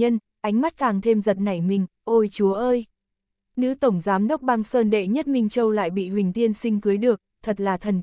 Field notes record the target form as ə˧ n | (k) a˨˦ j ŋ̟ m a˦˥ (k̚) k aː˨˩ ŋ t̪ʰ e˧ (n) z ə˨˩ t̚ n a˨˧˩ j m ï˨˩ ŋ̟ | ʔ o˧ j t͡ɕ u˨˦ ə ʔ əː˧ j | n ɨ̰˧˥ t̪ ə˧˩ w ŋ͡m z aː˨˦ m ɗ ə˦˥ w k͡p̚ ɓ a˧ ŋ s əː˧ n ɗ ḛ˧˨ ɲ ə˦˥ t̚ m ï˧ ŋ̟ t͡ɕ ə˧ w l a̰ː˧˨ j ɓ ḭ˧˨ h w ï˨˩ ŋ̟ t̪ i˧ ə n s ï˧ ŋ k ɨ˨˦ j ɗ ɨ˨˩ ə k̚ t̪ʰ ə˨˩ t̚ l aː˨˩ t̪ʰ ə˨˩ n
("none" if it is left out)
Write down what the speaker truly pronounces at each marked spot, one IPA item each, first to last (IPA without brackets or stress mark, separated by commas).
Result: ʔ, t̚, m